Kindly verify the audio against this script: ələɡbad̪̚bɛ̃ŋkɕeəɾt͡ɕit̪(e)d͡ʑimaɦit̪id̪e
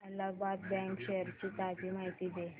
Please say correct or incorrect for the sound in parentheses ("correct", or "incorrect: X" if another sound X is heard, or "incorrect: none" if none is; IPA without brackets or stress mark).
incorrect: a